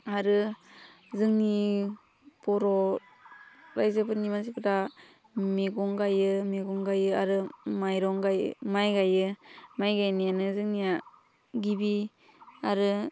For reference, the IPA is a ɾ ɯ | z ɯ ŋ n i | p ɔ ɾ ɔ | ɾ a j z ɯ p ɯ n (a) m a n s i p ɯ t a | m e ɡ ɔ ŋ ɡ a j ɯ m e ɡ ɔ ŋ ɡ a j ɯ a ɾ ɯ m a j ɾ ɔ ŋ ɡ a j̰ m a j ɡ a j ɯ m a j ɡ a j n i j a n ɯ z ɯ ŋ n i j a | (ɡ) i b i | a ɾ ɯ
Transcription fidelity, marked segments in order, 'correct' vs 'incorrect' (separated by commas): incorrect, correct